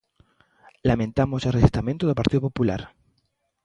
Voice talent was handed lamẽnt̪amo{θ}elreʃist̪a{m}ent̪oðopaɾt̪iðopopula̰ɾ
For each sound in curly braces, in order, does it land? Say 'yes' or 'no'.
no, yes

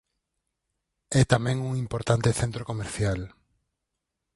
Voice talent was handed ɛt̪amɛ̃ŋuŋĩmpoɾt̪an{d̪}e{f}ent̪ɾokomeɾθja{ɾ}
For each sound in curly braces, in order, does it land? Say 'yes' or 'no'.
no, no, no

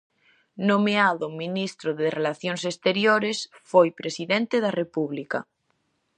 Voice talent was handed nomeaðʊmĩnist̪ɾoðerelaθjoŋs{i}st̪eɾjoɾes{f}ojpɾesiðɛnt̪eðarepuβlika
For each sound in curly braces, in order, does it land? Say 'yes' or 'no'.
no, yes

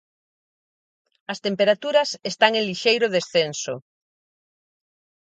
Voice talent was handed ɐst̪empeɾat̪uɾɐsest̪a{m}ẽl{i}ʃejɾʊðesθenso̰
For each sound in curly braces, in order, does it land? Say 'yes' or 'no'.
no, yes

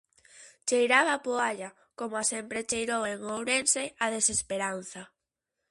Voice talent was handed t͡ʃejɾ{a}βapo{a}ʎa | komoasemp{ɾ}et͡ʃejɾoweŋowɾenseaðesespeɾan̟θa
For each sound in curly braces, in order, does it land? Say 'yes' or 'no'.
yes, yes, yes

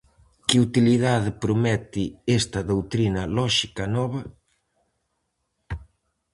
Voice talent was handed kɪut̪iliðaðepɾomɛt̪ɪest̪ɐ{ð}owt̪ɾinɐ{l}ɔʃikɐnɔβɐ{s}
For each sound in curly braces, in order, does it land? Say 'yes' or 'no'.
yes, yes, no

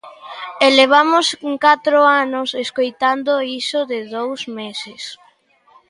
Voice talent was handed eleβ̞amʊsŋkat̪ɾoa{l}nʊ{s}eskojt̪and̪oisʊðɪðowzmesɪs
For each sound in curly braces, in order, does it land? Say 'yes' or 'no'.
no, yes

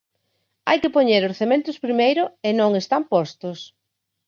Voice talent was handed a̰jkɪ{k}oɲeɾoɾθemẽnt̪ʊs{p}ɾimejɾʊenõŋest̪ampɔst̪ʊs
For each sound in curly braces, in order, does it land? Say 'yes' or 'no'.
no, yes

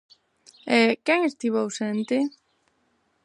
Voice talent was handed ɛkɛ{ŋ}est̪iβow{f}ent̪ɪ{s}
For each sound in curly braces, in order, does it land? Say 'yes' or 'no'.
yes, no, no

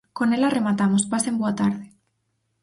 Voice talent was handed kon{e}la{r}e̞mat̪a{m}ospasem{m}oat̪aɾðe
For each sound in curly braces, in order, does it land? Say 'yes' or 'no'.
yes, yes, yes, no

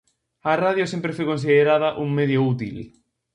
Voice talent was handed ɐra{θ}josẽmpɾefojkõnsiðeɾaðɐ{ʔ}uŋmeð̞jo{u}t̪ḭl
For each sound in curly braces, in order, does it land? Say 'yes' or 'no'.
no, yes, yes

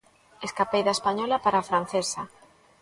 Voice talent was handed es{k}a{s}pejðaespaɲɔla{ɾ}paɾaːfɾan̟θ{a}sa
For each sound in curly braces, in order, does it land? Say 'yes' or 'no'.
yes, no, no, no

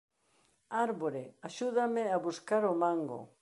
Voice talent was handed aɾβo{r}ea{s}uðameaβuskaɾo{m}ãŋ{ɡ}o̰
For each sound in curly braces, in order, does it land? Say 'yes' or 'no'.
no, no, yes, yes

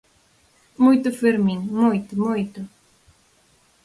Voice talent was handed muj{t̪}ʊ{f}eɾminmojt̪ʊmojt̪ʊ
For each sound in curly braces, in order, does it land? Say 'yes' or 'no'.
yes, yes

